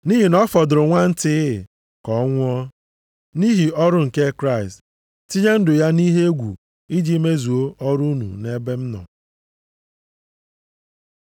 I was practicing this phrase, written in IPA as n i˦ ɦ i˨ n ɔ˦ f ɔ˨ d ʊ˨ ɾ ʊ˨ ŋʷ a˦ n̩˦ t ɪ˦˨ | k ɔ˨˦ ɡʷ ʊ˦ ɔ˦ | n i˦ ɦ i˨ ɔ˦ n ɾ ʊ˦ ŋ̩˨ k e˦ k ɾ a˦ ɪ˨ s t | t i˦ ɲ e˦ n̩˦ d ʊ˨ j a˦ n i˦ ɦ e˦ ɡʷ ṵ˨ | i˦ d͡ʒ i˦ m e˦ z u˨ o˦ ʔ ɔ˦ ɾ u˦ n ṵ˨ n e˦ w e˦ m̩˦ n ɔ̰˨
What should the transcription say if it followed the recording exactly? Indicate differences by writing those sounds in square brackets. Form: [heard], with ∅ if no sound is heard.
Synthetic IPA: n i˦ ɦ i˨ n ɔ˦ f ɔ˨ d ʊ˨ ɾ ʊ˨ ŋʷ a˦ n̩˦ t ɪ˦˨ | k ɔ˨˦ [ŋʷ] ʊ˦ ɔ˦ | n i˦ ɦ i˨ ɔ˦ [∅] ɾ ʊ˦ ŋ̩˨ k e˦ k ɾ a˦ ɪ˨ s t | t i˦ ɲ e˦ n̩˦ d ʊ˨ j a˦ n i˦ ɦ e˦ ɡʷ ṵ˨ | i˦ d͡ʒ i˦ m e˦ z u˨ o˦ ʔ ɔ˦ ɾ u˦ n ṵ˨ n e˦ [b] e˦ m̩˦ n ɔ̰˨